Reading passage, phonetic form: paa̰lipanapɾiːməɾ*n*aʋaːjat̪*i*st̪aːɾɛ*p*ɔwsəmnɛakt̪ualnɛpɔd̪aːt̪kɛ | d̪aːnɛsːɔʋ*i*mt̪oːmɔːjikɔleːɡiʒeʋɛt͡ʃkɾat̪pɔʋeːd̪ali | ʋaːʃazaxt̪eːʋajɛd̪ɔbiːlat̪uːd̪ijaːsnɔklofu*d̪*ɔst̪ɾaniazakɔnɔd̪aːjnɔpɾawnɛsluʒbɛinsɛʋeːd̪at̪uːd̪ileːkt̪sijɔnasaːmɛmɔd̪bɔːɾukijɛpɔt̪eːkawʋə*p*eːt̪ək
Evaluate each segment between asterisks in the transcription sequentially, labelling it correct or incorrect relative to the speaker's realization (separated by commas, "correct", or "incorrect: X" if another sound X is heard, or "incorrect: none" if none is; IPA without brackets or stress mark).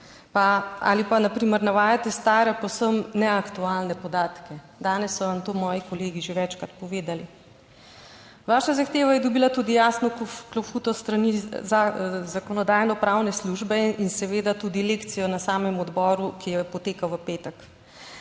correct, incorrect: ɛ, correct, incorrect: a, incorrect: t̪, correct